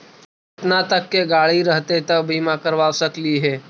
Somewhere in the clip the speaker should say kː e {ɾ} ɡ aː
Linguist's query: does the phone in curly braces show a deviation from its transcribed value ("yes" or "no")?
yes